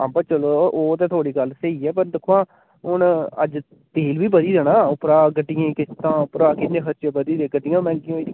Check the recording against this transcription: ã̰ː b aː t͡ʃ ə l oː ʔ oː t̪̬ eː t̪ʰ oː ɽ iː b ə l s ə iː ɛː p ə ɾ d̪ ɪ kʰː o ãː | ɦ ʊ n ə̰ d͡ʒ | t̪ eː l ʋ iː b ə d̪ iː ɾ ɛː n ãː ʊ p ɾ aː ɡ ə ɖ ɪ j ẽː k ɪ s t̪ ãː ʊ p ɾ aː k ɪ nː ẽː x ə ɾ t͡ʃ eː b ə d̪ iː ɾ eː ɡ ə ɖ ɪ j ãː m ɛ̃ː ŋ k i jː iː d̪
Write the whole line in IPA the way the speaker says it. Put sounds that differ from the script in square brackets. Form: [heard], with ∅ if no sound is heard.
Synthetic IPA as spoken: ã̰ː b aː t͡ʃ ə l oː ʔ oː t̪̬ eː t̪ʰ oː ɽ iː [ɡ] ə l s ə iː ɛː p ə ɾ d̪ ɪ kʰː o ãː | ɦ ʊ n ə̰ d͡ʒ | t̪ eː l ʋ iː b ə d̪ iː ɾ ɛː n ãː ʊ p ɾ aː ɡ ə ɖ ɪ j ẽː k ɪ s t̪ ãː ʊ p ɾ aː k ɪ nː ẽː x ə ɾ t͡ʃ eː b ə d̪ iː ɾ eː ɡ ə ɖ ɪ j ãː m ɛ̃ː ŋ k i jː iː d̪